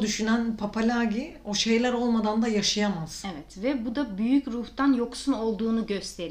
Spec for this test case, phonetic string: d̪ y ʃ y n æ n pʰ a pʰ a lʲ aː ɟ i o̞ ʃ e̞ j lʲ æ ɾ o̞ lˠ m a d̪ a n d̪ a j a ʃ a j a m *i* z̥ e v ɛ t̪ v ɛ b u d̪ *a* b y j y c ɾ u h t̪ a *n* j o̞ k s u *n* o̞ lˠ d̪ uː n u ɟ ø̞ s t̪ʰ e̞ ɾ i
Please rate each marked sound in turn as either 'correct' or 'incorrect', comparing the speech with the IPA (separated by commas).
incorrect, correct, correct, correct